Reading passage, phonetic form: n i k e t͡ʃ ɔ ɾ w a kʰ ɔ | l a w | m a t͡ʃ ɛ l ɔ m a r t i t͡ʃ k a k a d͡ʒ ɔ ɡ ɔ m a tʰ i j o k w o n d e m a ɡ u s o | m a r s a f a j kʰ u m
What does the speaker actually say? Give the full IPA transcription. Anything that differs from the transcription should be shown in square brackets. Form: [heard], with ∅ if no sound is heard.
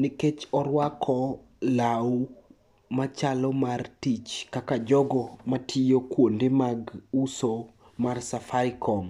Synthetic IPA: n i k e t͡ʃ ɔ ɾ w a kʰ ɔ | l a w | m a t͡ʃ [a] l ɔ m a r t i t͡ʃ k a k a d͡ʒ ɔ ɡ ɔ m a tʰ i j o k w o n d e m a ɡ u s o | m a r s a f a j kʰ [ɔ] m